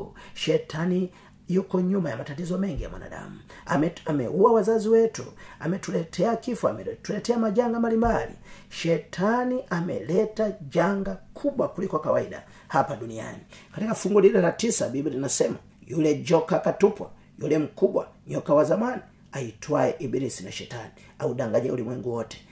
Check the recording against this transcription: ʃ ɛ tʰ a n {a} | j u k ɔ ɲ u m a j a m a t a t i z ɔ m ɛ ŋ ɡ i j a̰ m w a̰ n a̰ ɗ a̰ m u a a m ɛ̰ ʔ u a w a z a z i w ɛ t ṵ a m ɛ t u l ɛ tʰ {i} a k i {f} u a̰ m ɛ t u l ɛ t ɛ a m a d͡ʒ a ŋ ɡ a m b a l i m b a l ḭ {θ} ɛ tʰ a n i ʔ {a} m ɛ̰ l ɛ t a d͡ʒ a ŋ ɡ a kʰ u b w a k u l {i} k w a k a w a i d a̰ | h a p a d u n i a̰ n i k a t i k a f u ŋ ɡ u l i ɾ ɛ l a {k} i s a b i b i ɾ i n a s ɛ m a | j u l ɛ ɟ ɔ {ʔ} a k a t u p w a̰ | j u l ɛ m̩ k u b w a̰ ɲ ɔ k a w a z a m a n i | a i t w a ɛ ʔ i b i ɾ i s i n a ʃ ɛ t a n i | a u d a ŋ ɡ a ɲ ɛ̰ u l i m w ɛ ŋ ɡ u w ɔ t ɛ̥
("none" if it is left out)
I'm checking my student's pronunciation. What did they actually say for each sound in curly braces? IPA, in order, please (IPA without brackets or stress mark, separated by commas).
i, ɛ, f, ʃ, a, i, t, k